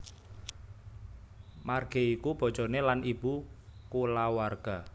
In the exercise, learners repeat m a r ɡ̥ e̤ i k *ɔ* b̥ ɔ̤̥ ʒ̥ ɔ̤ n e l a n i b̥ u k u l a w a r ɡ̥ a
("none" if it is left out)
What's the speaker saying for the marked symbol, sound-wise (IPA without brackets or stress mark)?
u